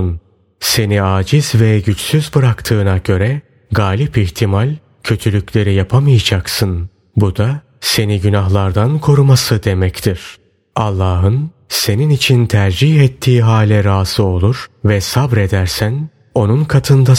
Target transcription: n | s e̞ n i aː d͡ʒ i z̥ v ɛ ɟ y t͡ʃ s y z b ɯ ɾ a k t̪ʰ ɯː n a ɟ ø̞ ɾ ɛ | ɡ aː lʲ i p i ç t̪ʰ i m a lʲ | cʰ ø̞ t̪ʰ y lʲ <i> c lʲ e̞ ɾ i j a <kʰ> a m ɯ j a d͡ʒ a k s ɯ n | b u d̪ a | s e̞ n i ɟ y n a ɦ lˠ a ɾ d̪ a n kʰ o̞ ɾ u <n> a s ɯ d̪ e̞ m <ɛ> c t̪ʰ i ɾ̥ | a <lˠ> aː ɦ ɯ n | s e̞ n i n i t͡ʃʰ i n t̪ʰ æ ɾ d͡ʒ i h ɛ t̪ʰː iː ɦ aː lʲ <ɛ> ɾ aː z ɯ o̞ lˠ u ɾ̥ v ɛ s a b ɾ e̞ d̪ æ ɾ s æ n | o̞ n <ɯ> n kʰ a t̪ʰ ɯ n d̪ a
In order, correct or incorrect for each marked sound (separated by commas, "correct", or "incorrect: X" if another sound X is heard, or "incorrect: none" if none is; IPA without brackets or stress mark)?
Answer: incorrect: y, incorrect: pʰ, incorrect: m, correct, incorrect: lˠː, correct, incorrect: u